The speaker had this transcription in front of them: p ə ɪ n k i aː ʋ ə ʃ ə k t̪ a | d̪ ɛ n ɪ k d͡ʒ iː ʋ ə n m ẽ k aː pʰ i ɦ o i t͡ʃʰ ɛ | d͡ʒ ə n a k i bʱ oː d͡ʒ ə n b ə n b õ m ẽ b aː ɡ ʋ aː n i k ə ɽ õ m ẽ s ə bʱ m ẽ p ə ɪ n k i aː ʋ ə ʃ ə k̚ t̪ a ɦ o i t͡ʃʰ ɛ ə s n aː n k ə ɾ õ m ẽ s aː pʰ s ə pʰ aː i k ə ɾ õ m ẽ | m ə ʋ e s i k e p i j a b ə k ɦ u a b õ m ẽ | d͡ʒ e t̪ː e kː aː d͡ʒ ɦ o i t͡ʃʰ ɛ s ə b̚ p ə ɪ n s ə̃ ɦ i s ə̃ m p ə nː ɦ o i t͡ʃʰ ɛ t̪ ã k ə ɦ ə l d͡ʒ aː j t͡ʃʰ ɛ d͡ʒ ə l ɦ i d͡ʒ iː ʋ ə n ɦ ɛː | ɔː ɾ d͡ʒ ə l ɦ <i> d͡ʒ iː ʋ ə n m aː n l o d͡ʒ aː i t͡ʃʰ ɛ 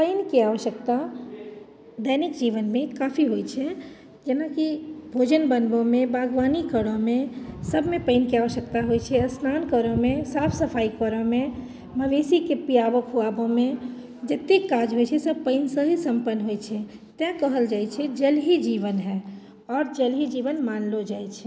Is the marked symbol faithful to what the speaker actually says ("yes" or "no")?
yes